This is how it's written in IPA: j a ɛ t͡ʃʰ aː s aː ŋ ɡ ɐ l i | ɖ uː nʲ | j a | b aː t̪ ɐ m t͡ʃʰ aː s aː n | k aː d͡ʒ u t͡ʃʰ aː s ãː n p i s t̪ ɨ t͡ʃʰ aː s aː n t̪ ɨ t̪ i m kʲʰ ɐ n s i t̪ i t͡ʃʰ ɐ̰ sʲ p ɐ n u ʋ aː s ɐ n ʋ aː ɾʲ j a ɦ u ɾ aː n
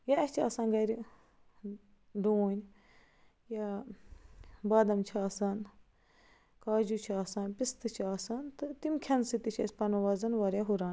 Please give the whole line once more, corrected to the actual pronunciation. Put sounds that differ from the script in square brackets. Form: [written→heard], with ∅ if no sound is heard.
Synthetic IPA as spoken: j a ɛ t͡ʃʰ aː s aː [ŋ→n] ɡ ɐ [l→ɾ] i | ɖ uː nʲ | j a | b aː [t̪→d̪] ɐ m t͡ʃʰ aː s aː n | k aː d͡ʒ u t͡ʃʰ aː s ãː n p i s t̪ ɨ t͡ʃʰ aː s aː n t̪ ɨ t̪ i m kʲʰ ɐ n s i t̪ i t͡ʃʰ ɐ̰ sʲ p ɐ n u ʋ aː [s→z] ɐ n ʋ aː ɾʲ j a ɦ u ɾ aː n